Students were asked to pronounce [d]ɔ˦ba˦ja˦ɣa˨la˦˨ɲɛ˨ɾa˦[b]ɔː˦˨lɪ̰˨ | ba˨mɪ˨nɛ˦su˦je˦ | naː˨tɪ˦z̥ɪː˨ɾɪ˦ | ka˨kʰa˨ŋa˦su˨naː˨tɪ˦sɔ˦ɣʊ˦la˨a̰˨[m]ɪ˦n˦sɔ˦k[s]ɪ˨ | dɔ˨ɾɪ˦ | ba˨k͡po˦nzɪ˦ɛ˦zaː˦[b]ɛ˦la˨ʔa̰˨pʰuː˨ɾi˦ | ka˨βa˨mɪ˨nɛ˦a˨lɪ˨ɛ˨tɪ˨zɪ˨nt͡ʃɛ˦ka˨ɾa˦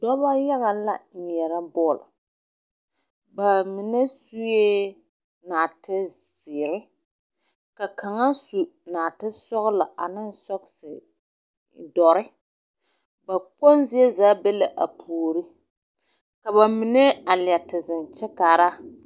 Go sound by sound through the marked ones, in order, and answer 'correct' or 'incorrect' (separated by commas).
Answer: correct, correct, incorrect, correct, correct